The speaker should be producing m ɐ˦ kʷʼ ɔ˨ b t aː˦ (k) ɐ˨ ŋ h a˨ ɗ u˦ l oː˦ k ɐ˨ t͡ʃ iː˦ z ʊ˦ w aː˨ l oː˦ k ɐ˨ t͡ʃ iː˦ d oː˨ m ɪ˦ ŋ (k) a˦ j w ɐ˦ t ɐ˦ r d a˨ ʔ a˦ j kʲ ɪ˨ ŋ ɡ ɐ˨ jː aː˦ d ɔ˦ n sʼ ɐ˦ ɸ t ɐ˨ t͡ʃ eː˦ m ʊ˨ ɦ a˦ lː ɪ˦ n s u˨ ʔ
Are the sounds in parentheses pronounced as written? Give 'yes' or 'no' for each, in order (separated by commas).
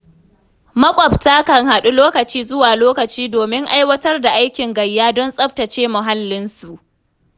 yes, no